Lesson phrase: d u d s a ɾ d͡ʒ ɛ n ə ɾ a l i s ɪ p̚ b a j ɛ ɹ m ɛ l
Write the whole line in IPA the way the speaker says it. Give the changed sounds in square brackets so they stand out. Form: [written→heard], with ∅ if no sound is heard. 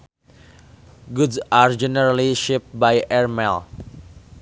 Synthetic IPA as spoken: [d→ɡ] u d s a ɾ d͡ʒ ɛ n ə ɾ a l i [s→ʃ] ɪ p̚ b a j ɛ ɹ m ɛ l